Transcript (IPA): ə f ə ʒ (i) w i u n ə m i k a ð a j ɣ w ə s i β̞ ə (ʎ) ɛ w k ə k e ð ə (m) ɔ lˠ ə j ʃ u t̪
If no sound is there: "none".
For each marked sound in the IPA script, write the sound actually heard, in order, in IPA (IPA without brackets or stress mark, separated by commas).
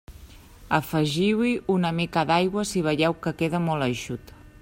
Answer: i, ʎ, m